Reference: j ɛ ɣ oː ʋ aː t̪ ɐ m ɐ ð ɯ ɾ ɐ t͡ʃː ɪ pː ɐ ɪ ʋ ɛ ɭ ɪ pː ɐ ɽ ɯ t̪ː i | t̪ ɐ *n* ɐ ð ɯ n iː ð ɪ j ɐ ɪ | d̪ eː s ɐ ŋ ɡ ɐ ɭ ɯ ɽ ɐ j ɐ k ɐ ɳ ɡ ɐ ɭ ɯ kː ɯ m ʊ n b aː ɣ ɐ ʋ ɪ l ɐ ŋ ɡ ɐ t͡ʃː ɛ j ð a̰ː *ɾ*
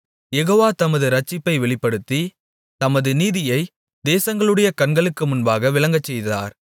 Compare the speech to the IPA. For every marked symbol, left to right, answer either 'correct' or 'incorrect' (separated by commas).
incorrect, correct